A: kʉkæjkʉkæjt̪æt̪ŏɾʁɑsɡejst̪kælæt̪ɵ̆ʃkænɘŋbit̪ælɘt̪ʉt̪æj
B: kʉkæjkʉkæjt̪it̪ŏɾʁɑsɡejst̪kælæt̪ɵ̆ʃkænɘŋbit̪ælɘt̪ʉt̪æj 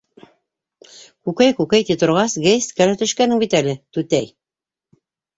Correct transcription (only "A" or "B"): B